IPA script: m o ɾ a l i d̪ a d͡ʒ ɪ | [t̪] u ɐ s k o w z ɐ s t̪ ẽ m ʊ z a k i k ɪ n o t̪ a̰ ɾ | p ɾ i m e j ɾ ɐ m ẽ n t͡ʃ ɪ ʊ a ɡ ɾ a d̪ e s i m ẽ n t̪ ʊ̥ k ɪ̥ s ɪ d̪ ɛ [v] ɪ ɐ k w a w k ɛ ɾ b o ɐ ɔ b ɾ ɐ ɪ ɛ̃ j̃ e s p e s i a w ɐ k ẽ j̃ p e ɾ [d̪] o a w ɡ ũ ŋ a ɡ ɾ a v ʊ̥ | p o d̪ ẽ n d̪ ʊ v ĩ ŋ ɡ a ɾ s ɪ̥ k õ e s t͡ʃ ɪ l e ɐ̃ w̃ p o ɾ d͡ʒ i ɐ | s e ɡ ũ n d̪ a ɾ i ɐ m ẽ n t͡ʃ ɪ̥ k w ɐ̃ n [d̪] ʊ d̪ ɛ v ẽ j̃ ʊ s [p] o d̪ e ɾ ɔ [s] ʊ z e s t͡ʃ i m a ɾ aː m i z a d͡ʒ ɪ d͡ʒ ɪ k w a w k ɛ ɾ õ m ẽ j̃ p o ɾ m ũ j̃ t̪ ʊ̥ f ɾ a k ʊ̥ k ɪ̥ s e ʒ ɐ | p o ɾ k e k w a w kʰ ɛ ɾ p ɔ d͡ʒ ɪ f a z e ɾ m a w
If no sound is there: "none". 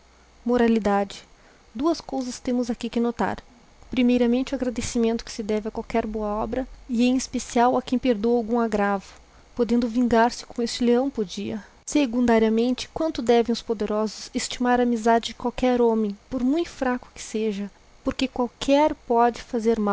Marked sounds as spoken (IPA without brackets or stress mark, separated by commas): d̪, v, d̪, t̪, p, z